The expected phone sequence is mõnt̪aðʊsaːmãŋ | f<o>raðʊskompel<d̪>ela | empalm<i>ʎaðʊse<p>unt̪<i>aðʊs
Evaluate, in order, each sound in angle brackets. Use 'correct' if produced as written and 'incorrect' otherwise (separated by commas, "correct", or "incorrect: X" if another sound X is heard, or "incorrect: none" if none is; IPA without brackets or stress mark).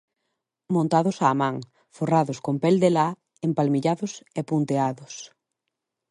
correct, correct, correct, correct, incorrect: e